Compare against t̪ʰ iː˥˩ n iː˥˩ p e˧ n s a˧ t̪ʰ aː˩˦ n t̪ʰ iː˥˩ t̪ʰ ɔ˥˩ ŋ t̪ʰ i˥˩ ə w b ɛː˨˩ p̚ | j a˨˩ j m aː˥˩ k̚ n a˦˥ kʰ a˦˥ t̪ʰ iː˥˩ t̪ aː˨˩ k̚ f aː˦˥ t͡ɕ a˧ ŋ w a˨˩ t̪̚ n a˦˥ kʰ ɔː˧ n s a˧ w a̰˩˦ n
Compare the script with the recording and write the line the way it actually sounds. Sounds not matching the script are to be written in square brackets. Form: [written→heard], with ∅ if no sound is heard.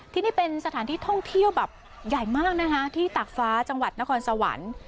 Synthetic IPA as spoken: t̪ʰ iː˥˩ n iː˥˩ p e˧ n s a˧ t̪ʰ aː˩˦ n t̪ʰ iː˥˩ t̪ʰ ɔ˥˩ ŋ t̪ʰ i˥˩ ə w b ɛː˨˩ p̚ | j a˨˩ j m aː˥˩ k̚ n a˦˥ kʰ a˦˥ t̪ʰ iː˥˩ t̪ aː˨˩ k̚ f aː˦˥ t͡ɕ a˧ ŋ w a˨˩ t̪̚ n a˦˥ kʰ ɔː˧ n s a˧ w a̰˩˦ n